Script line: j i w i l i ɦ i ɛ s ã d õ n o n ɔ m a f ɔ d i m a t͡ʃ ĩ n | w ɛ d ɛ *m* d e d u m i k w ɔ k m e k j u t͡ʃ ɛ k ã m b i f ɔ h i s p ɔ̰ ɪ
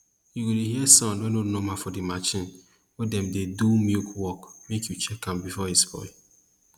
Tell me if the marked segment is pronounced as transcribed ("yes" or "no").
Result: yes